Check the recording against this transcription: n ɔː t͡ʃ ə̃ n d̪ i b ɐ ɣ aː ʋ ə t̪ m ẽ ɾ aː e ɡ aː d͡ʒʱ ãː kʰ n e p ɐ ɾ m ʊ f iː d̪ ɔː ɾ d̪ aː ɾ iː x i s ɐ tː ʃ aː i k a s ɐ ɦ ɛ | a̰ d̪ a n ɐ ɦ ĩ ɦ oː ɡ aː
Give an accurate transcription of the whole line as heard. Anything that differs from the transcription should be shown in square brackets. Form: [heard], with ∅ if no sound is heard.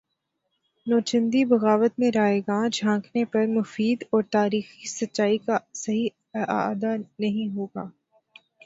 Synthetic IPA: n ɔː t͡ʃ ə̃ n d̪ i b ɐ ɣ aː ʋ ə t̪ m ẽ ɾ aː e ɡ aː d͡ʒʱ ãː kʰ n e p ɐ ɾ m ʊ f iː d̪ ɔː ɾ [t̪] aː ɾ iː x i s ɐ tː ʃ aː i k a s ɐ ɦ [i] | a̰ d̪ a n ɐ ɦ ĩ ɦ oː ɡ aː